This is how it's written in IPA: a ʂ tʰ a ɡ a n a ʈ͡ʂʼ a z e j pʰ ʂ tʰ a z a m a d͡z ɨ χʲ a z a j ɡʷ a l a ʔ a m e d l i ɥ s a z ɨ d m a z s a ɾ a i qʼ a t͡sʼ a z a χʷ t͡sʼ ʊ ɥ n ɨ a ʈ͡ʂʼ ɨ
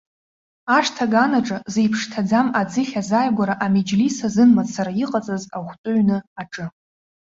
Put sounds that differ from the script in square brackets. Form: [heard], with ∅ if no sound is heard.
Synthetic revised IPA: a ʂ tʰ a ɡ a n a ʈ͡ʂʼ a z e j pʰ ʂ tʰ a [d͡z] a m a d͡z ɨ χʲ a z a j ɡʷ a [ɾ] a ʔ a m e [d͡ʒ] l i [∅] s a z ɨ [n] m a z s a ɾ a i qʼ a t͡sʼ a z a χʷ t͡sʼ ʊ ɥ n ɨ a ʈ͡ʂʼ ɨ